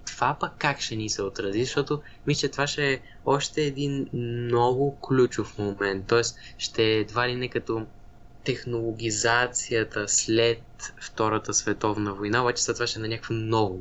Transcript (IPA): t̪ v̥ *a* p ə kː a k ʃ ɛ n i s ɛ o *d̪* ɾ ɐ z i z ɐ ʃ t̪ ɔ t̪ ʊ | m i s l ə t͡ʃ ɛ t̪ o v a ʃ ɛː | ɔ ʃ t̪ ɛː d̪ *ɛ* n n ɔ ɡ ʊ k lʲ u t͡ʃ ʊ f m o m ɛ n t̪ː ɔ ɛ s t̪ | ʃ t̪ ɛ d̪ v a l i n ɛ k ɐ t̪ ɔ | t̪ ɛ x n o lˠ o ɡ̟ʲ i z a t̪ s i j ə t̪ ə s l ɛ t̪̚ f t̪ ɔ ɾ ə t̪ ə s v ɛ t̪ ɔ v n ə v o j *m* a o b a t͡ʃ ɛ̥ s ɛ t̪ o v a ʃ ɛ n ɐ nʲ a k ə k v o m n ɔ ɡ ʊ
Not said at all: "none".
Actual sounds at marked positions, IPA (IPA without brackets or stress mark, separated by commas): a, t̪, i, n